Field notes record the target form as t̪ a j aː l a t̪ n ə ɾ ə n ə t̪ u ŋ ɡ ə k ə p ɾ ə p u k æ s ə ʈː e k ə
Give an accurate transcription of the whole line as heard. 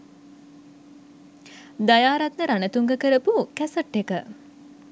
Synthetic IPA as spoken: d̪ a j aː ɾ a t̪ n ə ɾ a n ə t̪ u ŋ ɡ ə k ə ɾ ə p u k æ s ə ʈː e k ə